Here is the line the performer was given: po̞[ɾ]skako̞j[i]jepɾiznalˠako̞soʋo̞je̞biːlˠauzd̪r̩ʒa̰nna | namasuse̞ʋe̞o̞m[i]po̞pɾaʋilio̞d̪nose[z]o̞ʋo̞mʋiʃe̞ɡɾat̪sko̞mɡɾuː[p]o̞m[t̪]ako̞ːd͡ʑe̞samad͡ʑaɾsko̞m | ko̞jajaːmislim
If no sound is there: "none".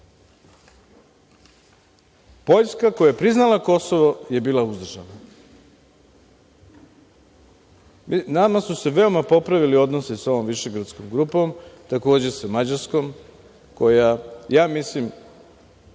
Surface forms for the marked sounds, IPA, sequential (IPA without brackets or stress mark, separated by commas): ʎ, a, a, s, p, t̪